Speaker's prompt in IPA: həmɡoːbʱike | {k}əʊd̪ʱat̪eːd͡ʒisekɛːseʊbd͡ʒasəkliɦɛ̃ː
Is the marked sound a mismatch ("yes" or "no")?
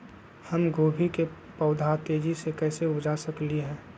yes